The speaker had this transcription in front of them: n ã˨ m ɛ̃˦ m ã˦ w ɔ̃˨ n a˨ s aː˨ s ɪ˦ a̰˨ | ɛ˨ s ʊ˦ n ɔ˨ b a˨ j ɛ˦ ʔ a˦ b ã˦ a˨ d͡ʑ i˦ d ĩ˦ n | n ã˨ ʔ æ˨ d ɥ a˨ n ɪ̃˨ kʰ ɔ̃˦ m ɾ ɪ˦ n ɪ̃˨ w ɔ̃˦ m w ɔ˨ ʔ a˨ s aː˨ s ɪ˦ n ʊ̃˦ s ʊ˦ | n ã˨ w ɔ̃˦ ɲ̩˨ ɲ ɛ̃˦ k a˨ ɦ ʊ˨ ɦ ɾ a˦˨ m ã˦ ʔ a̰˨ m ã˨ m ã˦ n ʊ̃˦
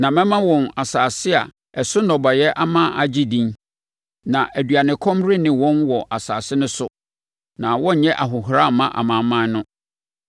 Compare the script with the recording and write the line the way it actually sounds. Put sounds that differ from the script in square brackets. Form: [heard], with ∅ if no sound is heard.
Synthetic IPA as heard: n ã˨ m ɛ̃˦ m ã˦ w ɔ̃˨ n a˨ s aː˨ s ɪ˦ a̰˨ | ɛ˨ s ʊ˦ n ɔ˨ b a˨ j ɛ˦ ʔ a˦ [m] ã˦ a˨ d͡ʑ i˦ d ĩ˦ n | n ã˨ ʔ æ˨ d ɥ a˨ n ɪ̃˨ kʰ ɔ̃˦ m ɾ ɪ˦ n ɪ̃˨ w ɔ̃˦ [n] w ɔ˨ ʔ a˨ s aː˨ s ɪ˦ n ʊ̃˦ s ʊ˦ | n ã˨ w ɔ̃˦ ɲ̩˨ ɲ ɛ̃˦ [ʔ] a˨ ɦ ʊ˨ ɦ ɾ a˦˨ m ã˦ ʔ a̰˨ m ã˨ m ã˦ n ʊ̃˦